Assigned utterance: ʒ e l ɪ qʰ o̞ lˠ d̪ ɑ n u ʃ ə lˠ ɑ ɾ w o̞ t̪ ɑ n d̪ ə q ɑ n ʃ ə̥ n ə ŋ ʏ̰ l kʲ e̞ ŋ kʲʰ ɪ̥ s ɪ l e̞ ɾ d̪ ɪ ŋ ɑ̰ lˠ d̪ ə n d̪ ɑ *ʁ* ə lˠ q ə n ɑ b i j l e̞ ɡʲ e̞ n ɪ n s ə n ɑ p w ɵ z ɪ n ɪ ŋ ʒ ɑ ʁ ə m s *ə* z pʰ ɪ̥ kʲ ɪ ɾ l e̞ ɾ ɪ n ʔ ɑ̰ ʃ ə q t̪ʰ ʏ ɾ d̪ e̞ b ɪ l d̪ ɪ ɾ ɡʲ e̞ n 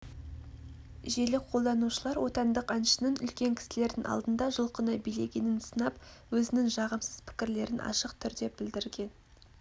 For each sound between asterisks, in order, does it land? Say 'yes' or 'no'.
no, yes

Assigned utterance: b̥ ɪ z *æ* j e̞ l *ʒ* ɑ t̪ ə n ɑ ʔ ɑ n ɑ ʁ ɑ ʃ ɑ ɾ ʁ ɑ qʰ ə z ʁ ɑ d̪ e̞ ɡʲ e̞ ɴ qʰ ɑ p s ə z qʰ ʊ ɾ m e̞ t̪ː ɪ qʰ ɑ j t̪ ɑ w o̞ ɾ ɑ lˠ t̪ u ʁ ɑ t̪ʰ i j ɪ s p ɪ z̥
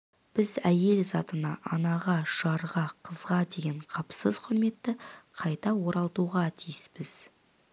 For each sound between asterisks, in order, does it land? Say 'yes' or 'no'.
yes, no

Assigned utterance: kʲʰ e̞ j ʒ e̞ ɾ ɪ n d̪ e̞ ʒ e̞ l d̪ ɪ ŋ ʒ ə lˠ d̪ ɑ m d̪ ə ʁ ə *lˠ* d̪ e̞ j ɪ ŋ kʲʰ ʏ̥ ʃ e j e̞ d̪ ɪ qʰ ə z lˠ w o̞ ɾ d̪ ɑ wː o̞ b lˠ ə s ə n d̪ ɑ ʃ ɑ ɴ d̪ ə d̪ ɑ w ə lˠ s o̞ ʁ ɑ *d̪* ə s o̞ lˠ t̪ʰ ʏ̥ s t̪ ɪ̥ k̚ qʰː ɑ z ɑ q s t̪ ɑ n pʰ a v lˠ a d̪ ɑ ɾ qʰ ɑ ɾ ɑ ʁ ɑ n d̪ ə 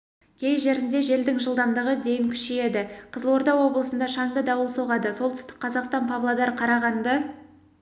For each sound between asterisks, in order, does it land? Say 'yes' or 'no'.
no, yes

